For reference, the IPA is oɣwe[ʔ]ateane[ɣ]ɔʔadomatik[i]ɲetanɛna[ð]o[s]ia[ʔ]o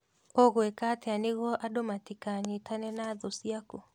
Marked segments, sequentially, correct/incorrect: incorrect: k, correct, incorrect: a, correct, correct, incorrect: k

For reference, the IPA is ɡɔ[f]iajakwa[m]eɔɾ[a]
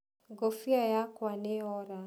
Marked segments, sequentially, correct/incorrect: correct, incorrect: n, correct

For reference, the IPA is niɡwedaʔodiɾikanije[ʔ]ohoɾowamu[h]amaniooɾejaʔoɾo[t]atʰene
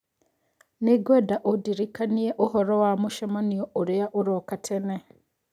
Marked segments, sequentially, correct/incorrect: correct, incorrect: ʃ, incorrect: k

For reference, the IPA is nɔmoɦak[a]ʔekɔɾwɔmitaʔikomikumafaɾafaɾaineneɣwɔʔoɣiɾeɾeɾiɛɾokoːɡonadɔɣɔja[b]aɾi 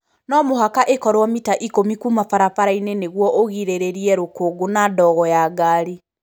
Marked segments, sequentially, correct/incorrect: correct, incorrect: ɡ

